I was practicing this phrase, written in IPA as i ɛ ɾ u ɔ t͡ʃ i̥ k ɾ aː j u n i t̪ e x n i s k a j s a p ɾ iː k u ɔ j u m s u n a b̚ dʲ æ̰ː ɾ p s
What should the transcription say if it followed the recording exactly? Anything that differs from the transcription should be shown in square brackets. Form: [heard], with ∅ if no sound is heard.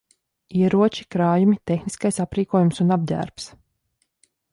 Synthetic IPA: i ɛ ɾ u ɔ t͡ʃ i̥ k ɾ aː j u [m] i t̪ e x n i s k a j s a p ɾ iː k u ɔ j u m s u n a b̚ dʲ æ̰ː ɾ p s